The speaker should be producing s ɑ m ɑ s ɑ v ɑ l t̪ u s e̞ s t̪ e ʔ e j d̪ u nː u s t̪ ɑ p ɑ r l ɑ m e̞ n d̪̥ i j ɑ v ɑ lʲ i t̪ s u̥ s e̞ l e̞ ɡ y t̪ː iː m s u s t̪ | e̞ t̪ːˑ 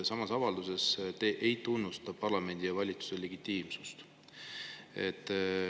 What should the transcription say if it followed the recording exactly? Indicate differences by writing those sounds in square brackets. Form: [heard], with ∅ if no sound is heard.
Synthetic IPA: s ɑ m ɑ s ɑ v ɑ l [d̪] u s e̞ s t̪ e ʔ e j [t̪] u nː u s t̪ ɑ p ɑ r l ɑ m e̞ n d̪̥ i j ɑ v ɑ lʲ i t̪ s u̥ s e̞ l e̞ ɡ [i] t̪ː iː m s u s t̪ | e̞ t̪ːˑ